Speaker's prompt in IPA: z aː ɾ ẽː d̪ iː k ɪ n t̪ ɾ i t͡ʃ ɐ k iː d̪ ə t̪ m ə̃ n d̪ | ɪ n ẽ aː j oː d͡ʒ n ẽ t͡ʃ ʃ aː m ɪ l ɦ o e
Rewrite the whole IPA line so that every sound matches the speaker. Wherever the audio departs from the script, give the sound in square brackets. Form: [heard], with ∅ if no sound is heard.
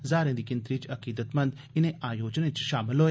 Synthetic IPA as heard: z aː ɾ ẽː d̪ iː k ɪ n t̪ ɾ i t͡ʃ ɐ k iː d̪ ə t̪ m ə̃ n d̪ | ɪ n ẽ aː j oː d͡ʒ n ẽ t͡ʃ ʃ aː m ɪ l ɦ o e

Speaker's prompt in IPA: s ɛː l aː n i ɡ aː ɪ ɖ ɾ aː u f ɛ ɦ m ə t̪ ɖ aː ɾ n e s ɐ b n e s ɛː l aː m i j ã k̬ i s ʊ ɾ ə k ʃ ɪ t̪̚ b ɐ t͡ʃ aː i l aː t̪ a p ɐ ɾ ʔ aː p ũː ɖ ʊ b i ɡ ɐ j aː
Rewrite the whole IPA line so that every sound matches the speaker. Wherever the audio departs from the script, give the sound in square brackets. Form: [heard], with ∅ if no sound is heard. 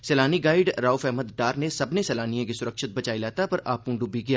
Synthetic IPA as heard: s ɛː l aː n i ɡ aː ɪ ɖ ɾ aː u f ɛ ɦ m ə [d̪] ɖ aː ɾ n e s ɐ b n e s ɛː l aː [n] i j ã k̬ i s ʊ ɾ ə k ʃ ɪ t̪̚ b ɐ t͡ʃ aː i l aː t̪ a p ɐ ɾ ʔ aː p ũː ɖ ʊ b i ɡ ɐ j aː

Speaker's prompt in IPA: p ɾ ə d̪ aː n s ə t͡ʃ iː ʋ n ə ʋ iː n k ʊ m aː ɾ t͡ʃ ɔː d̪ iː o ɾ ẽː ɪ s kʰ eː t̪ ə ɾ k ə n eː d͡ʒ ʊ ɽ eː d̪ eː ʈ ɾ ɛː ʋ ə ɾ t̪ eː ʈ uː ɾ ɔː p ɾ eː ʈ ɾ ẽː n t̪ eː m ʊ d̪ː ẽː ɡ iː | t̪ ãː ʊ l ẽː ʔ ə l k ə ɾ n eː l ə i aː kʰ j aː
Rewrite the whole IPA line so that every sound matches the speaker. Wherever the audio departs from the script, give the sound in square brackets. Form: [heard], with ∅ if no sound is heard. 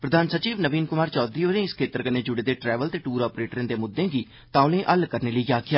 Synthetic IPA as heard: p ɾ ə d̪ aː n s ə t͡ʃ iː ʋ n ə ʋ iː n k ʊ m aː ɾ t͡ʃ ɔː d̪ iː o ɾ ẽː ɪ s kʰ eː t̪ ə ɾ k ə n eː d͡ʒ ʊ ɽ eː d̪ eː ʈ ɾ ɛː ʋ ə [l] t̪ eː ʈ uː ɾ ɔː p ɾ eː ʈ ɾ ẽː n [d̪] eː m ʊ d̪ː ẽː ɡ iː | t̪ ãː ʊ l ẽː ʔ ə l k ə ɾ n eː l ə i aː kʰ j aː

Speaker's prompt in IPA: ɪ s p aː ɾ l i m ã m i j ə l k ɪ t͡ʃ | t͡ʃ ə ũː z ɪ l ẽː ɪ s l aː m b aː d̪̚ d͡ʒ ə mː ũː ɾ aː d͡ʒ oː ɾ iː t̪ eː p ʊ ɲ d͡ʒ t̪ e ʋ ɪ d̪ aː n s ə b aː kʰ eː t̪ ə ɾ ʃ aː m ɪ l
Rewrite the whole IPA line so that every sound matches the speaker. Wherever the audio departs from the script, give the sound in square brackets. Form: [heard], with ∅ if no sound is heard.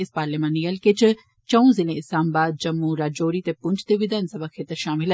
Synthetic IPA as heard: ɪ s p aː ɾ l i m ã [n] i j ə l k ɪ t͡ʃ | t͡ʃ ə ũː z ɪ l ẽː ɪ s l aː m b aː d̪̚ d͡ʒ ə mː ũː ɾ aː d͡ʒ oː ɾ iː t̪ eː p ʊ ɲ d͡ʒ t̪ e ʋ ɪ d̪ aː n s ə b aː kʰ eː t̪ ə ɾ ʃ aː m ɪ l

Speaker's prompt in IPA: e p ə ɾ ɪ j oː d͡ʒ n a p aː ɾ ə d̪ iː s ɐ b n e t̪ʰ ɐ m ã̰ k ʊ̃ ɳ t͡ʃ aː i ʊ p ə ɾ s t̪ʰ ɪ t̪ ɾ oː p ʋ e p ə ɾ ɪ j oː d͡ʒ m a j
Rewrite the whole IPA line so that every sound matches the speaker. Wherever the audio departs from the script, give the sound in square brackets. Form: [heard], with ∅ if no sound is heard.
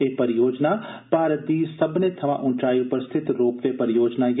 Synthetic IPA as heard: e p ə ɾ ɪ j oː d͡ʒ n a p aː ɾ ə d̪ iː s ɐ b n e t̪ʰ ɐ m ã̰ [ʔ] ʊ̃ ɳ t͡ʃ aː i ʊ p ə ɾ s t̪ʰ ɪ t̪ ɾ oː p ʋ e p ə ɾ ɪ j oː d͡ʒ [n] a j

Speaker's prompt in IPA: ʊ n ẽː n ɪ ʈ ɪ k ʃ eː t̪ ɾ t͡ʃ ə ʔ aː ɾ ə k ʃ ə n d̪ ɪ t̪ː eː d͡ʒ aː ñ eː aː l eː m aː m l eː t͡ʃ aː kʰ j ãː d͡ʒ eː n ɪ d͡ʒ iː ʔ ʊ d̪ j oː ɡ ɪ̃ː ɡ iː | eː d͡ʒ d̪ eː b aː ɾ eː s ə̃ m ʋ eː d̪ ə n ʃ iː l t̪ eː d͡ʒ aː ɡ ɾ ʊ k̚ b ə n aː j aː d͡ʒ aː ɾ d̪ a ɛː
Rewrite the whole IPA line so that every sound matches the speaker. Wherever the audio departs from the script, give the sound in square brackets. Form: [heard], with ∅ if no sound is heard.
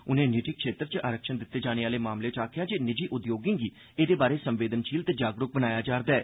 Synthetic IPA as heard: ʊ n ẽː n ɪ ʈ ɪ k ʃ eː t̪ ɾ t͡ʃ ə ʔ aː ɾ ə k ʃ ə n d̪ ɪ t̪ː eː d͡ʒ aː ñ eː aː l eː m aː m l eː t͡ʃ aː kʰ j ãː d͡ʒ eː n ɪ d͡ʒ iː ʔ ʊ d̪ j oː ɡ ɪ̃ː ɡ iː | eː [∅] d̪ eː b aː ɾ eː s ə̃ m ʋ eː d̪ ə n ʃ iː l t̪ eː d͡ʒ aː ɡ ɾ ʊ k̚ b ə n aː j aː d͡ʒ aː ɾ d̪ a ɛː

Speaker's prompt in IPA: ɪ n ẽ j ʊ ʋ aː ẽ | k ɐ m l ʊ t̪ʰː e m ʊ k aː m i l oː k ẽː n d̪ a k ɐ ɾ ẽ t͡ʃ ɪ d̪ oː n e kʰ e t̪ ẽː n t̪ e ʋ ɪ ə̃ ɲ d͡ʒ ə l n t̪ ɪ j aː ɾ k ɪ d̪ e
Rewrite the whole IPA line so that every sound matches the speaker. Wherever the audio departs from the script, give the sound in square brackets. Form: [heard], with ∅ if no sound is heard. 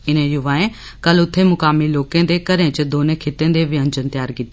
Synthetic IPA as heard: ɪ n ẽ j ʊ ʋ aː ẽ | k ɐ [∅] l ʊ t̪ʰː e m ʊ k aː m i l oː k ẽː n d̪ [e] k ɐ ɾ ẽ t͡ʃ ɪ d̪ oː n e kʰ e t̪ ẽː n [d̪] e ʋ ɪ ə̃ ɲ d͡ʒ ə [∅] n t̪ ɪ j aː ɾ k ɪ [t̪] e

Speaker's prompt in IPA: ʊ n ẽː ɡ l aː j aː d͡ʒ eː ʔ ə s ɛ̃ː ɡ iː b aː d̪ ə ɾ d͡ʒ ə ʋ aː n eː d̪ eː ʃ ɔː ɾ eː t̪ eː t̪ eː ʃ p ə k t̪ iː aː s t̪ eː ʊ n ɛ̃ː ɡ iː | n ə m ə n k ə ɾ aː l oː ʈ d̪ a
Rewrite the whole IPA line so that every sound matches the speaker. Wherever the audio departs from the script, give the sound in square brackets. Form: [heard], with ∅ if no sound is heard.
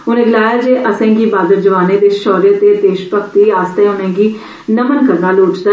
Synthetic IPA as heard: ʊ n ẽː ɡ l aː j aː d͡ʒ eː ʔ ə s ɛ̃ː ɡ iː b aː d̪ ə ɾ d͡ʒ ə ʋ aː n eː d̪ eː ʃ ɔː ɾ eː t̪ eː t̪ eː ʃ p ə k t̪ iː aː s t̪ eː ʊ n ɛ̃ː ɡ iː | n ə m ə n k ə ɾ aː l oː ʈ d̪ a

